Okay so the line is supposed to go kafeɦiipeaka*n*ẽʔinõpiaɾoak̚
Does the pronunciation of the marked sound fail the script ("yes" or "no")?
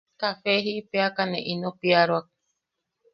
no